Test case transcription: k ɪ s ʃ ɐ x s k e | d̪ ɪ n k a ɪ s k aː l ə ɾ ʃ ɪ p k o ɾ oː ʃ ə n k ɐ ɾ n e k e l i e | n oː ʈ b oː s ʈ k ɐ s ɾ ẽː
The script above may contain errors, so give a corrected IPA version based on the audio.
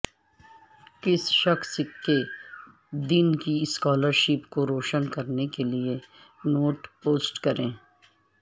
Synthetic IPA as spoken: k ɪ s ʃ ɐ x s k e | d̪ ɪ n k i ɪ s k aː l ə ɾ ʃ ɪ p k o ɾ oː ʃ ə n k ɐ ɾ n e k e l i e | n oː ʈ p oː s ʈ k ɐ ɾ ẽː

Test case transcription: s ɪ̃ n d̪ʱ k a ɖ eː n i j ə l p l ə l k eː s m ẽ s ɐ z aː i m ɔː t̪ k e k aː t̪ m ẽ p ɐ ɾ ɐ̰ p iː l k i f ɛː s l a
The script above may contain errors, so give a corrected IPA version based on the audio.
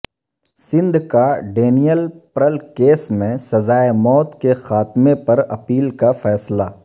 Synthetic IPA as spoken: s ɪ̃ n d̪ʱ k a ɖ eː n i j ə l p ɾ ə l k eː s m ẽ s ɐ z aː e m ɔː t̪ k e x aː t̪ m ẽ p ɐ ɾ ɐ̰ p iː l k a f ɛː s l a

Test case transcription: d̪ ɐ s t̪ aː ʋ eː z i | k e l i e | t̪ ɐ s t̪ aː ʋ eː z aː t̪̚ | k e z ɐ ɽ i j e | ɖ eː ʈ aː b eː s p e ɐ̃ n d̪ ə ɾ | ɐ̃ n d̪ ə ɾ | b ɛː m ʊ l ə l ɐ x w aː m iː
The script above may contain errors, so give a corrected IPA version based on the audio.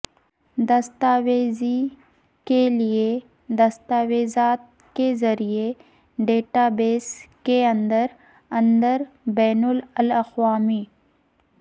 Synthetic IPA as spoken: d̪ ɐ s t̪ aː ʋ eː z i | k e l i e | d̪ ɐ s t̪ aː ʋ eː z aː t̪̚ | k e z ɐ ɾ i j e | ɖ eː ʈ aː b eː s k e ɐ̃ n d̪ ə ɾ | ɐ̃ n d̪ ə ɾ | b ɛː n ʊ l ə l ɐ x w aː m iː

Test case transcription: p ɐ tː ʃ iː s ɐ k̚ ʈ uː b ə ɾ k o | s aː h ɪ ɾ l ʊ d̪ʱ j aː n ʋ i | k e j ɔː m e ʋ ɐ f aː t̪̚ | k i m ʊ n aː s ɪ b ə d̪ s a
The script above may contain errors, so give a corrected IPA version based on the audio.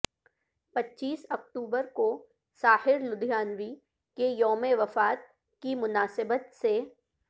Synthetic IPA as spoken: p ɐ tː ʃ iː s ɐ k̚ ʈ uː b ə ɾ k o | s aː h ɪ ɾ l ʊ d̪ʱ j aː n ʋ i | k e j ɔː m e ʋ ɐ f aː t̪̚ | k i m ʊ n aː s ɪ b ə t̪ s e

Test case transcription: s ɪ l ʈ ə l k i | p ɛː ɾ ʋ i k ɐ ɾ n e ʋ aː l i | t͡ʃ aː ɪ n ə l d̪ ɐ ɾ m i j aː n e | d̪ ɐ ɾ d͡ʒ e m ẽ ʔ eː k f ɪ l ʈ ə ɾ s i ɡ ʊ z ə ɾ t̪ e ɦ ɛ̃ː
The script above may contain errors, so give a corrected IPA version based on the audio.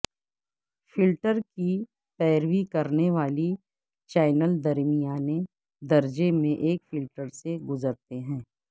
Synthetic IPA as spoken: f ɪ l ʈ ə ɾ k i | p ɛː ɾ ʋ i k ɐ ɾ n e ʋ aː l i | t͡ʃ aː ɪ n ə l d̪ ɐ ɾ m i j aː n e | d̪ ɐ ɾ d͡ʒ e m ẽ ʔ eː k f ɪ l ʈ ə ɾ s e ɡ ʊ z ə ɾ t̪ e ɦ ɛ̃ː

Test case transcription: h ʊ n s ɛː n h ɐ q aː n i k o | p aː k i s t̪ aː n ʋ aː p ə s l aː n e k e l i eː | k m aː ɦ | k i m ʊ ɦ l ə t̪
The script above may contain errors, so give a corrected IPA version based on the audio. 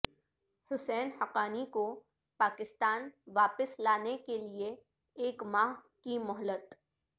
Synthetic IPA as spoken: h ʊ s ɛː n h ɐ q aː n i k o | p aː k ɪ s t̪ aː n ʋ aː p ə s l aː n e k e l i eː | k m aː ɦ | k i m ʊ ɦ l ə t̪

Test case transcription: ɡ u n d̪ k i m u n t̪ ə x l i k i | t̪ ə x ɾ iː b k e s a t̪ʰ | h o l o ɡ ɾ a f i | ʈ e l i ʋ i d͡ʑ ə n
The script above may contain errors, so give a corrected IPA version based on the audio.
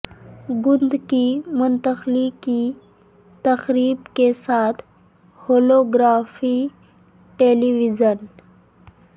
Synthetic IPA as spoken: ɡ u n d̪ k i m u n t̪ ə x l i k i | t̪ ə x ɾ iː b k e s a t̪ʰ | h o l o ɡ ɾ a f i | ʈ e l i ʋ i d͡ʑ ə n

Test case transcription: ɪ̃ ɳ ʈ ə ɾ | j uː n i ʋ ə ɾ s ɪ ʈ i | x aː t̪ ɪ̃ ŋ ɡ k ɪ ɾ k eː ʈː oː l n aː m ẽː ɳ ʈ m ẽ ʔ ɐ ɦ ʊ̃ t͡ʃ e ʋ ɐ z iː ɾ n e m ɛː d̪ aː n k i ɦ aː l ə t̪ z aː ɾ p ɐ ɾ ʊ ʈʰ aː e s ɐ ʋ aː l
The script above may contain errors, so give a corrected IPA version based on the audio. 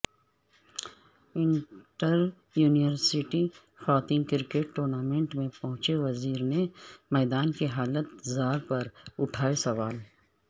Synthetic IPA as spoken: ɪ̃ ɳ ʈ ə ɾ | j uː n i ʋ ə ɾ s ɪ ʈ i | x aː t̪ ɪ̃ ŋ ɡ k ɪ ɾ k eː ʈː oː ɾ n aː m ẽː ɳ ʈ m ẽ p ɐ ɦ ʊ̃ t͡ʃ e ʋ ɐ z iː ɾ n e m ɛː d̪ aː n k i ɦ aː l ə t̪ z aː ɾ p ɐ ɾ ʊ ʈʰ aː e s ɐ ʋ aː l

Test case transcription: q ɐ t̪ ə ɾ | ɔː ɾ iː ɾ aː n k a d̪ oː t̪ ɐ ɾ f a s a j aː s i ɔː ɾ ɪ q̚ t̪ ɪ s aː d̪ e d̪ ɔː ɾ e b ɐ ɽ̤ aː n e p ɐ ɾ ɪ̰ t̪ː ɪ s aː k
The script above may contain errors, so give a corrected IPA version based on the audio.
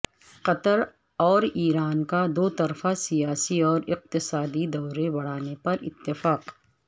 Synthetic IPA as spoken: q ɐ t̪ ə ɾ | ɔː ɾ iː ɾ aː n k a d̪ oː t̪ ɐ ɾ f a s i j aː s i ɔː ɾ ɪ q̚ t̪ ɪ s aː d̪ i d̪ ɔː ɾ e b ɐ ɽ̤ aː n e p ɐ ɾ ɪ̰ t̪ː ɪ f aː q

